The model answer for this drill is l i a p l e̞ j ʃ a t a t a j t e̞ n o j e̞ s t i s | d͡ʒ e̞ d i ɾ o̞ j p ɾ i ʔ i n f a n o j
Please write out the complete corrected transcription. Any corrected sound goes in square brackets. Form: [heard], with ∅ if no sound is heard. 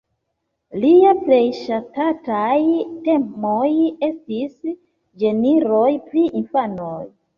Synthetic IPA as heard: l i a p l e̞ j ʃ a t a t a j t e̞ [m] o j e̞ s t i s | d͡ʒ e̞ [n] i ɾ o̞ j p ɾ i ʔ i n f a n o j